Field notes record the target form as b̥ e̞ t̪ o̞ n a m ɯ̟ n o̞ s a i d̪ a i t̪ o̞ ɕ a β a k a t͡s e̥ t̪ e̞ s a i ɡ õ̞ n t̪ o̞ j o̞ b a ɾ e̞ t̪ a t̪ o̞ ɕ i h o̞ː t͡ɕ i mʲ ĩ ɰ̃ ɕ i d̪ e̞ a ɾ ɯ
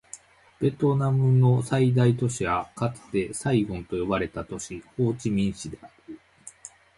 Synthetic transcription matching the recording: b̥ e̞ t̪ o̞ n a m ɯ̟ n o̞ s a i d̪ a i t̪ o̞ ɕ i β a k a t͡s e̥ t̪ e̞ s a i ɡ õ̞ n t̪ o̞ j o̞ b a ɾ e̞ t̪ a t̪ o̞ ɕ i h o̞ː t͡ɕ i mʲ ĩ ɰ̃ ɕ i d̪ e̞ a ɾ ɯ